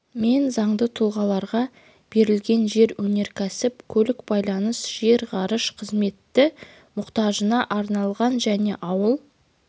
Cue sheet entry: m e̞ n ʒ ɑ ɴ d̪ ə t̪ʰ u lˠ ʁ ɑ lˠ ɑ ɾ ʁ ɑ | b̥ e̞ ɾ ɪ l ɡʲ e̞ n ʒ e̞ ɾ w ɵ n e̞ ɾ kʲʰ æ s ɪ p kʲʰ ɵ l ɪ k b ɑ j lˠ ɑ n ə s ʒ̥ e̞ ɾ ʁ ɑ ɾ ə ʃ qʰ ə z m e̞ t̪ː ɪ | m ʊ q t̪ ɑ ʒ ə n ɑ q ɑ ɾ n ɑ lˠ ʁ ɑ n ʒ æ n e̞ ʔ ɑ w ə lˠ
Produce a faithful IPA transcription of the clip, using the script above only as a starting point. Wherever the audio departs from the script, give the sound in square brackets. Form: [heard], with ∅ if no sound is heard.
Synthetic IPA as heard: m e̞ n [z] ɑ ɴ d̪ ə t̪ʰ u lˠ ʁ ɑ lˠ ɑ ɾ ʁ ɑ | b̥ e̞ ɾ ɪ l ɡʲ e̞ n ʒ e̞ ɾ w ɵ n e̞ ɾ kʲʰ æ s ɪ p kʲʰ ɵ l ɪ k b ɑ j lˠ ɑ n ə s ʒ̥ e̞ ɾ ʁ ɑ ɾ ə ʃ qʰ ə z m e̞ t̪ː ɪ | m ʊ q t̪ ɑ ʒ ə n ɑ [ʔ] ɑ ɾ n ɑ lˠ ʁ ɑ n ʒ æ n e̞ ʔ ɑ w ə lˠ